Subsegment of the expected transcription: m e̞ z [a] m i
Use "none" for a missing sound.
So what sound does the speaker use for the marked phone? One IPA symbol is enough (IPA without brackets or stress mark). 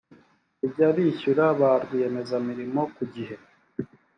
a